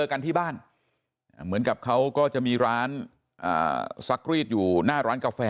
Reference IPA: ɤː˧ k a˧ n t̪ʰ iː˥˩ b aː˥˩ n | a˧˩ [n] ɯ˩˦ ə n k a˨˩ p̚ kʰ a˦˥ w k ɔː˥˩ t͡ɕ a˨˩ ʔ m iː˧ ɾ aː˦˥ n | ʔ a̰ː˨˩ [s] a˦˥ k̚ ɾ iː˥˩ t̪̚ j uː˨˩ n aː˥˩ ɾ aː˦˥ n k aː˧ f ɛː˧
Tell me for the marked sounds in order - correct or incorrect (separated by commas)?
incorrect, correct